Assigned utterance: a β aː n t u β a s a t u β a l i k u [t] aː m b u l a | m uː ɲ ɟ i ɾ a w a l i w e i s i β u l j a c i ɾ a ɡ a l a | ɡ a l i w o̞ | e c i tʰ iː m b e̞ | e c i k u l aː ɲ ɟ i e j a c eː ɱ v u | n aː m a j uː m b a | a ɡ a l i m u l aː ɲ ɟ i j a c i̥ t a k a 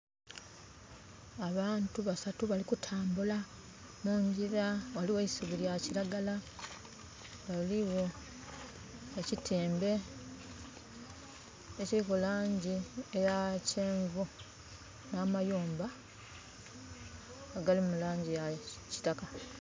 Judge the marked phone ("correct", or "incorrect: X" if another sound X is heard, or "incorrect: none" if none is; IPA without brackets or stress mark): incorrect: tʰ